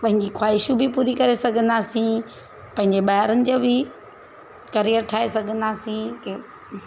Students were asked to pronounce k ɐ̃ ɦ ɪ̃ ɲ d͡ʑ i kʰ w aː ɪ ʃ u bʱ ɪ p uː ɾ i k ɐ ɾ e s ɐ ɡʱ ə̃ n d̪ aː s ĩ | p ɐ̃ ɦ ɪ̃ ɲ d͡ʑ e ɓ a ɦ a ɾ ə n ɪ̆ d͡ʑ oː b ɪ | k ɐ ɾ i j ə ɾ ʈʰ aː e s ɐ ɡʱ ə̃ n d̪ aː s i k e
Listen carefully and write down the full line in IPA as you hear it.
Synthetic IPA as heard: p ɐ̃ ɦ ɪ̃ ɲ d͡ʑ i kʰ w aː ɪ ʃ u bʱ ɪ p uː ɾ i k ɐ ɾ e s ɐ ɡʱ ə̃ n d̪ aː s ĩ | p ɐ̃ ɦ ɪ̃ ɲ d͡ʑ e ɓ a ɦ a ɾ ə n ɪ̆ d͡ʑ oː b ɪ | k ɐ ɾ i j ə ɾ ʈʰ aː e s ɐ ɡʱ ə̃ n d̪ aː s ĩ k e